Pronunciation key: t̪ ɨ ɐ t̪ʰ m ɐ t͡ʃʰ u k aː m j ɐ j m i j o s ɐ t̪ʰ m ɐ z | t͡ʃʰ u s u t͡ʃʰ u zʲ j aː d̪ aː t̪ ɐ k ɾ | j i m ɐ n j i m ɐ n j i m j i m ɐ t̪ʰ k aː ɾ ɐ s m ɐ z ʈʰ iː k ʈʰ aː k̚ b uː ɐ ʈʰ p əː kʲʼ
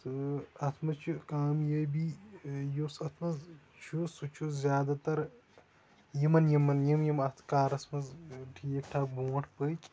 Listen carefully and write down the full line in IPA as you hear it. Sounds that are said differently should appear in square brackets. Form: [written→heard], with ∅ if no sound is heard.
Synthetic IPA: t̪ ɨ ɐ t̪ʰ m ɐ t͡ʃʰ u k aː m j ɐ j [m→b] i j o s ɐ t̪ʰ m ɐ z | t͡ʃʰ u s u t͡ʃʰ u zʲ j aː d̪ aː t̪ ɐ [k→∅] ɾ | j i m ɐ n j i m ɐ n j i m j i m ɐ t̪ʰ k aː ɾ ɐ s m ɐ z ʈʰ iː k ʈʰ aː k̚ b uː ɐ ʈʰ p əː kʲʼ